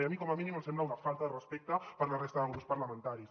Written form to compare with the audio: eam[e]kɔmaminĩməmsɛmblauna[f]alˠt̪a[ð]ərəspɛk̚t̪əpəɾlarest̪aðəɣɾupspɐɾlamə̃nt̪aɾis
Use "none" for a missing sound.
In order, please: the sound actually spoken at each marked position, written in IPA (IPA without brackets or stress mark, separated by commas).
i, f, ð